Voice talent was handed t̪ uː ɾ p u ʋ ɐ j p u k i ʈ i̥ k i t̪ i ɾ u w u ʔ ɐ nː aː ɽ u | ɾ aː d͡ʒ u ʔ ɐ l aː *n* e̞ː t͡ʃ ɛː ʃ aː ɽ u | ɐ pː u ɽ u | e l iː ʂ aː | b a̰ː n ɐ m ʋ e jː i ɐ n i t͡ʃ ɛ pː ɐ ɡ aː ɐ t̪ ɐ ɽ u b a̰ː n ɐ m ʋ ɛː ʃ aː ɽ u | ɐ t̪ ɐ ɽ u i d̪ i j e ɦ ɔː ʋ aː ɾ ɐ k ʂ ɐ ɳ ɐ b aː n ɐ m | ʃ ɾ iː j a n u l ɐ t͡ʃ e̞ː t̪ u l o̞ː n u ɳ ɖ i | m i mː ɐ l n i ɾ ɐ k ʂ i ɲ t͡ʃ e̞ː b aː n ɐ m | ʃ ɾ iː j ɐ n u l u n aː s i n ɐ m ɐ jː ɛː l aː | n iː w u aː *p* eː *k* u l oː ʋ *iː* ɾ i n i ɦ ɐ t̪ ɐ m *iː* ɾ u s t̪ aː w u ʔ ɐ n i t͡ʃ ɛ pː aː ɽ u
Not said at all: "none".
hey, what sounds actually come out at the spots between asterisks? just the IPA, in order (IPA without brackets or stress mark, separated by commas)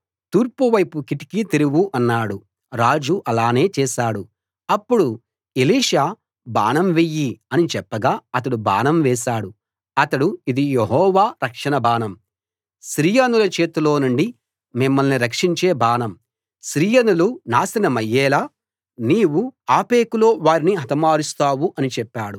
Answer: n, p, k, aː, aː